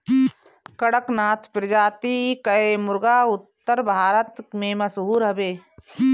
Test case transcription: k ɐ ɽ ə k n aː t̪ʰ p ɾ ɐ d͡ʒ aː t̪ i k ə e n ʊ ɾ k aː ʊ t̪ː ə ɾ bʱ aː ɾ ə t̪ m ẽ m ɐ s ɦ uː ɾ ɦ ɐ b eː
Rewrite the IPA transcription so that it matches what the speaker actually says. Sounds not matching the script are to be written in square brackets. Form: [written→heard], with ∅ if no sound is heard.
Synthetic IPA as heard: k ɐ ɽ ə k n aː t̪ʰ p ɾ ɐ d͡ʒ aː t̪ i k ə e [n→m] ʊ ɾ [k→ɡ] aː ʊ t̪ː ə ɾ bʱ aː ɾ ə t̪ m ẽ m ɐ s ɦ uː ɾ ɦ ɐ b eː